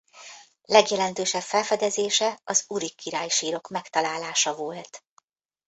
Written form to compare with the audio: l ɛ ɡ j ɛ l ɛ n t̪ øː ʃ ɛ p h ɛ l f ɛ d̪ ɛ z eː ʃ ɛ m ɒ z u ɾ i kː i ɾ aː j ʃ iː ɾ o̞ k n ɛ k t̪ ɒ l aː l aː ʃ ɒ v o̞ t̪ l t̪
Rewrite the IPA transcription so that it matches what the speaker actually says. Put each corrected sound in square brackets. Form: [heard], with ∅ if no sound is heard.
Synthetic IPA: l ɛ ɡ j ɛ l ɛ n t̪ øː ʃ ɛ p [f] ɛ l f ɛ d̪ ɛ z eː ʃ ɛ [∅] ɒ z u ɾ i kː i ɾ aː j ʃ iː ɾ o̞ k [m] ɛ k t̪ ɒ l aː l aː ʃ ɒ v o̞ [∅] l t̪